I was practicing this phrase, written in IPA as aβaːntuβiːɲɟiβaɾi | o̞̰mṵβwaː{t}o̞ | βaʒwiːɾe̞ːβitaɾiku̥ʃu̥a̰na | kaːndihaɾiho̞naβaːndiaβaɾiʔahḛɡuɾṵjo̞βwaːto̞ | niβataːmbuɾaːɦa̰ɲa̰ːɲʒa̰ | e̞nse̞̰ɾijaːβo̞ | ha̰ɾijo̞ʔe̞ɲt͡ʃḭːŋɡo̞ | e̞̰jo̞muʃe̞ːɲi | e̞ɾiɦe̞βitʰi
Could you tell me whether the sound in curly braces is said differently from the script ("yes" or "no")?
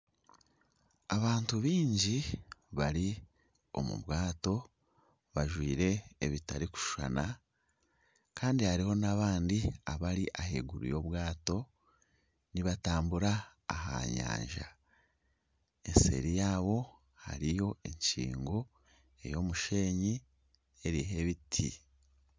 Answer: no